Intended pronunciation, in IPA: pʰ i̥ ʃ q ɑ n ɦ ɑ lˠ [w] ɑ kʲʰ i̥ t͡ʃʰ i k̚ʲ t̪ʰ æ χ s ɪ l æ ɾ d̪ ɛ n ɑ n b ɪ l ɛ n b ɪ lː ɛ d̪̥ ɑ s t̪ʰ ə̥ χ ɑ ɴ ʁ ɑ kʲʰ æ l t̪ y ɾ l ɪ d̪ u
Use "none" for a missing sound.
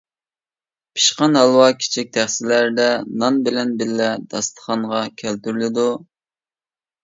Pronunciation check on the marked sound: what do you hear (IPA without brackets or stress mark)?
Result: w